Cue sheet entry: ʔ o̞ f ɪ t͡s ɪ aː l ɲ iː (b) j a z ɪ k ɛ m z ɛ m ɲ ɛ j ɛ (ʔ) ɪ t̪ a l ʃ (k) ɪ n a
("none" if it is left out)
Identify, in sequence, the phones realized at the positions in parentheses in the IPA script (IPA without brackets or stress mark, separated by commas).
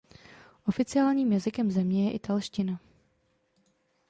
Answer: m, ʔ, c